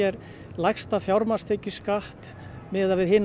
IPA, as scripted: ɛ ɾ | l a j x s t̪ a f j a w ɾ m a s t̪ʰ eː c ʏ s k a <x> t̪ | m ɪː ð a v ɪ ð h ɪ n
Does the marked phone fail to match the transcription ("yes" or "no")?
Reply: yes